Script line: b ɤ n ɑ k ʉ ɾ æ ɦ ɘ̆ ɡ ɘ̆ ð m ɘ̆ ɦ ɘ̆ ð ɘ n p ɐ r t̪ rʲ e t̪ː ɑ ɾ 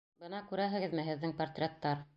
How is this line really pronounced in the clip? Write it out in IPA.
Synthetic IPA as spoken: b ɤ n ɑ k ʉ ɾ æ ɦ ɘ̆ ɡ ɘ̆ ð m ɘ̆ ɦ ɘ̆ ðː ɘ ŋ p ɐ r t̪ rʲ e t̪ː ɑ ɾ